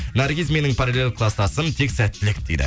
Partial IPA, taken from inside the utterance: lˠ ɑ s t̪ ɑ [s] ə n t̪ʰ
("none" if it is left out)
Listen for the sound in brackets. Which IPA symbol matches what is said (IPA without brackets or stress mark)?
s